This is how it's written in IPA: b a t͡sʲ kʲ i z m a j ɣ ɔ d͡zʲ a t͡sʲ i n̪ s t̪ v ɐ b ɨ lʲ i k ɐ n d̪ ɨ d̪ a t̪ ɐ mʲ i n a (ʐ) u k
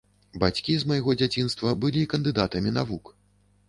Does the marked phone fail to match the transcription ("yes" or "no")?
yes